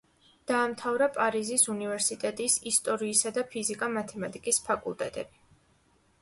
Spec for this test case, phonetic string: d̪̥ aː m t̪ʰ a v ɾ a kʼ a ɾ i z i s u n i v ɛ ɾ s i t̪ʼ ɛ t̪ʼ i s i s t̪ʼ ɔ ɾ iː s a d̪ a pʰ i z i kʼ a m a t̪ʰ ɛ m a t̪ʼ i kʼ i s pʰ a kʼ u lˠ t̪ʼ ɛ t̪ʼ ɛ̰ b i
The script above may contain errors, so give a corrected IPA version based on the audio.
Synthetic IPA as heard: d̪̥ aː m t̪ʰ a v ɾ a pʼ a ɾ i z i s u n i v ɛ ɾ s i t̪ʼ ɛ t̪ʼ i s i s t̪ʼ ɔ ɾ iː s a d̪ a pʰ i z i kʼ a m a t̪ʰ ɛ m a t̪ʼ i kʼ i s pʰ a kʼ u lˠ t̪ʼ ɛ t̪ʼ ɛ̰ b i